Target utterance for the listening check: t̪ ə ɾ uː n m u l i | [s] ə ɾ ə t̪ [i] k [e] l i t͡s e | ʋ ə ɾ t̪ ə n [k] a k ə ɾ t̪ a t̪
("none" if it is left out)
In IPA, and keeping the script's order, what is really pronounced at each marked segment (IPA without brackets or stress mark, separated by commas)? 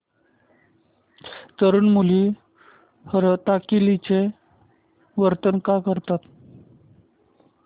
h, a, i, k